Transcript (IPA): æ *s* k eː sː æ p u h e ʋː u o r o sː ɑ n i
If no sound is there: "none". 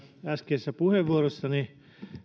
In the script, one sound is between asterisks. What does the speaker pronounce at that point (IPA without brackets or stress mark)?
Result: s